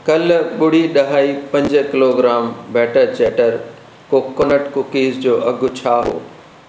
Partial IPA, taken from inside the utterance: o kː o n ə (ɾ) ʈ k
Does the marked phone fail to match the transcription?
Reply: yes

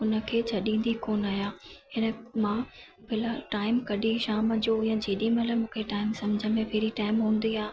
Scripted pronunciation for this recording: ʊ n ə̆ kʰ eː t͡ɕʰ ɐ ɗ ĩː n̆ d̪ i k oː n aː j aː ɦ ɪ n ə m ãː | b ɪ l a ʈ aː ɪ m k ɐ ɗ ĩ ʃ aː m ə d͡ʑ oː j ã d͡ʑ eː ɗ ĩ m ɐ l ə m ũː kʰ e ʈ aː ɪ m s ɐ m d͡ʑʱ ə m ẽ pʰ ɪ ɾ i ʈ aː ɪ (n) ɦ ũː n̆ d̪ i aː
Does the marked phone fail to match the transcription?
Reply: yes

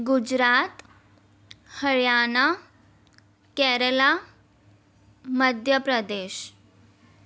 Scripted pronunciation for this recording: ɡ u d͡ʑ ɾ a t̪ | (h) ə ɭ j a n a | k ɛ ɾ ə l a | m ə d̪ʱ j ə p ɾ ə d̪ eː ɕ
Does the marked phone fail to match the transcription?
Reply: no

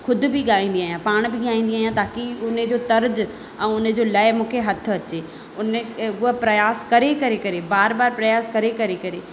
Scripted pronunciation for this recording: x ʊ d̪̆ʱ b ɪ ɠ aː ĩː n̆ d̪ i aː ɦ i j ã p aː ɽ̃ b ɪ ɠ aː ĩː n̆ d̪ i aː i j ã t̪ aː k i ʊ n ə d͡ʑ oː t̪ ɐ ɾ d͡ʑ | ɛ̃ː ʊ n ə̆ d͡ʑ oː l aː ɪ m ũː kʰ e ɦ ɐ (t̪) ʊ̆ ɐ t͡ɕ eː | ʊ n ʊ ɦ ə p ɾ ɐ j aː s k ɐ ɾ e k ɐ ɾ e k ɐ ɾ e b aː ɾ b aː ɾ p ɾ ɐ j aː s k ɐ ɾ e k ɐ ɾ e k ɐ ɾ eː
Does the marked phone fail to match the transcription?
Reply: yes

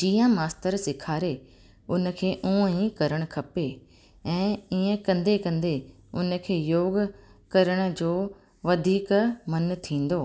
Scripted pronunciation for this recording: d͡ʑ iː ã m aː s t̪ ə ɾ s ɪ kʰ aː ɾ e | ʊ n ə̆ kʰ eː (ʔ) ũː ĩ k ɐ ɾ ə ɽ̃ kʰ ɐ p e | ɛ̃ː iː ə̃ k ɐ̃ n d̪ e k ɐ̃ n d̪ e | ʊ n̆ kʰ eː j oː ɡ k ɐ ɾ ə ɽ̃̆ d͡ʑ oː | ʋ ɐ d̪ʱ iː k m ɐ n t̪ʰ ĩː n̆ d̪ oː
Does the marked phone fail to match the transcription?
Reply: no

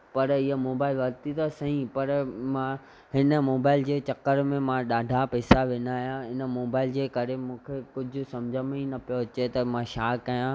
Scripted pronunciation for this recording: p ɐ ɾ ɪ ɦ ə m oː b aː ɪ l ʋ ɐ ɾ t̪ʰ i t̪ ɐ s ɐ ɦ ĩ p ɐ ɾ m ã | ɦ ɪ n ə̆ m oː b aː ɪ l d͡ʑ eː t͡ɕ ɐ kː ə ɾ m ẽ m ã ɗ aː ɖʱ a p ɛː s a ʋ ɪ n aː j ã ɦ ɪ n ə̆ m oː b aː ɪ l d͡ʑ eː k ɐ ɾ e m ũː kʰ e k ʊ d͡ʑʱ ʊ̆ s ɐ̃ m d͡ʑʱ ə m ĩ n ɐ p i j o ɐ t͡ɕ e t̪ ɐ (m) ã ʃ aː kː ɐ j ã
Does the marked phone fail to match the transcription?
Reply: no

